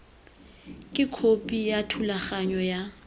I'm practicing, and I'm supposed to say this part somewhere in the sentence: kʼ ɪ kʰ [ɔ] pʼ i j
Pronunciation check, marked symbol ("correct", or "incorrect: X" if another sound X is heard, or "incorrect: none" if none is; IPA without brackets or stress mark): incorrect: o